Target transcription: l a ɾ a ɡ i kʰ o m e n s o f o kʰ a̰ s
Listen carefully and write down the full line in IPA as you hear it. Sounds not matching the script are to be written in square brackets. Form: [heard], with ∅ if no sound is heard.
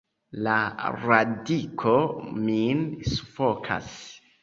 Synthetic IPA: l a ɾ a [d] i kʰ o m [i] n s [u] f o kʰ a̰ s